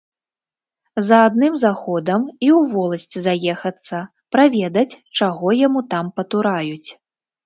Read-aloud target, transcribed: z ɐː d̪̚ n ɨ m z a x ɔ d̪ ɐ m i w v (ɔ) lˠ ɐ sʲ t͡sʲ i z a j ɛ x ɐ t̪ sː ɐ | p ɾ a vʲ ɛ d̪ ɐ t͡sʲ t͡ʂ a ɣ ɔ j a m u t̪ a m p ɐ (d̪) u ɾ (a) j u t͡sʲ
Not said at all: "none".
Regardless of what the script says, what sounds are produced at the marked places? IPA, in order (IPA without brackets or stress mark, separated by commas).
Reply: ɔ, t̪, a